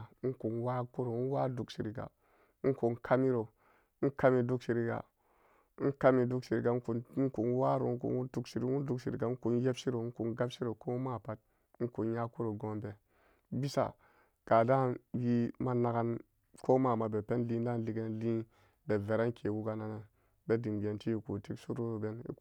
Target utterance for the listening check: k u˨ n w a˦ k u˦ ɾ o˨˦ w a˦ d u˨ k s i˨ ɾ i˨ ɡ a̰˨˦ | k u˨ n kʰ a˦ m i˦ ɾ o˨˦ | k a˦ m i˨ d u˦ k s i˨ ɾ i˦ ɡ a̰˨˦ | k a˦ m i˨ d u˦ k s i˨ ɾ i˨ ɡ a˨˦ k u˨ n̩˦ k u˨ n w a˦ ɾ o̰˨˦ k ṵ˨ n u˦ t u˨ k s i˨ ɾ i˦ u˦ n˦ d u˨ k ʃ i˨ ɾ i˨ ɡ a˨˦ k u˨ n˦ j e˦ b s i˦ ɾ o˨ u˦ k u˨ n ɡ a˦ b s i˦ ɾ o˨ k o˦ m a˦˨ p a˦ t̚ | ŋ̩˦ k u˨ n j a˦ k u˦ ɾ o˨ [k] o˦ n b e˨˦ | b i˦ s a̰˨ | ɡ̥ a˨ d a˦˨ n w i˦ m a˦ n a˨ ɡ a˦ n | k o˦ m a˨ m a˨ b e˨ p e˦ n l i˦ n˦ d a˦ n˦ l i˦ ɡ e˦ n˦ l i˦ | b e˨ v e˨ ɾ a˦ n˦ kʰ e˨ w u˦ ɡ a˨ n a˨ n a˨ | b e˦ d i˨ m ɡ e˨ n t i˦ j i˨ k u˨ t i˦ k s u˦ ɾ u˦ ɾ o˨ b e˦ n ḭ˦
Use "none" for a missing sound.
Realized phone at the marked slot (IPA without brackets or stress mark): ɡ